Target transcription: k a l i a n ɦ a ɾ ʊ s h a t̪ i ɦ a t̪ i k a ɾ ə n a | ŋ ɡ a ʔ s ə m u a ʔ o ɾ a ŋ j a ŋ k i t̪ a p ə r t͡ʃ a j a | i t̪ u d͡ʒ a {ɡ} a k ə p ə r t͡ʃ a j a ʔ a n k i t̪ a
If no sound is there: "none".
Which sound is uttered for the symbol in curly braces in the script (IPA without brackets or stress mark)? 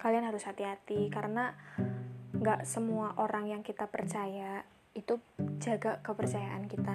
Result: ɡ